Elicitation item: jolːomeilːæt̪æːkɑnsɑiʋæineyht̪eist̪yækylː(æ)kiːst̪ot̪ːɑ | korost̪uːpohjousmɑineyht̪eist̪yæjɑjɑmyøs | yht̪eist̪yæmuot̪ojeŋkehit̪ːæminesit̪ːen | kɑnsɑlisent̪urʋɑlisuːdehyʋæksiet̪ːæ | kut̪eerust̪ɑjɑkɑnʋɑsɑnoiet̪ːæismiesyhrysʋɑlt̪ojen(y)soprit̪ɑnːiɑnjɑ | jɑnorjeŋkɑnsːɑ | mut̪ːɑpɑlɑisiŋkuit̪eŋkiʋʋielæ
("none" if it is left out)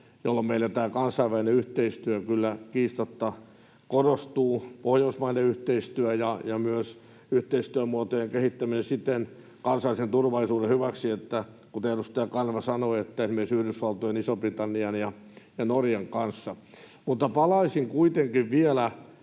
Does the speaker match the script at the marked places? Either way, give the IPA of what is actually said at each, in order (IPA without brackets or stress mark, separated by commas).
æ, i